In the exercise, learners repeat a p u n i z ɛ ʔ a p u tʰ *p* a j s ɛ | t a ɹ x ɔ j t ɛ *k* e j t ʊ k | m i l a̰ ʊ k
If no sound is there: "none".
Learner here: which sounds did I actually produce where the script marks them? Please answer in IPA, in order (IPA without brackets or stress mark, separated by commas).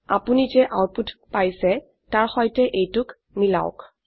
p, ʔ